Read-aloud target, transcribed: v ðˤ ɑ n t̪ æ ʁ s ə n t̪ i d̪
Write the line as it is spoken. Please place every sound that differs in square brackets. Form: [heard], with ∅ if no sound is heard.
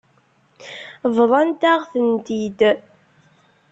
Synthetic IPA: v ðˤ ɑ n t̪ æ ʁ [θ] ə n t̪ i d̪